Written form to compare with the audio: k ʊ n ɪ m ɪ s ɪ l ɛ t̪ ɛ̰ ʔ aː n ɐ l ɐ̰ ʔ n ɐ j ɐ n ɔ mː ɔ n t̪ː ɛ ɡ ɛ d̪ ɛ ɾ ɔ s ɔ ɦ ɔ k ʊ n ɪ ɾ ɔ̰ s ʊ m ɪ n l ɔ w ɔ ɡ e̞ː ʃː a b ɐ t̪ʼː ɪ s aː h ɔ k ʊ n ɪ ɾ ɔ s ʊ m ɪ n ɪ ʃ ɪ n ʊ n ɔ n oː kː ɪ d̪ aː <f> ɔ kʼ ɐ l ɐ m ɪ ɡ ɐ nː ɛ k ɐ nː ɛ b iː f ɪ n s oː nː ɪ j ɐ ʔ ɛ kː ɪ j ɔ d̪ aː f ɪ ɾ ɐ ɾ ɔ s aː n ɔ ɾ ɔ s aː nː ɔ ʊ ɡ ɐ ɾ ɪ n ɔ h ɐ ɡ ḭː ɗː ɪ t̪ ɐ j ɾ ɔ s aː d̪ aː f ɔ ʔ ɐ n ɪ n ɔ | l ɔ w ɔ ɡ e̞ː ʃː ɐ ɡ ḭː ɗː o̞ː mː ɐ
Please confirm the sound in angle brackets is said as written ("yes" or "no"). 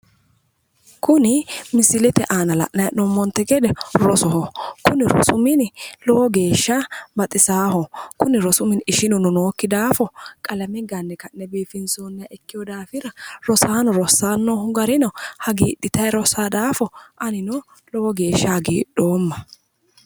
yes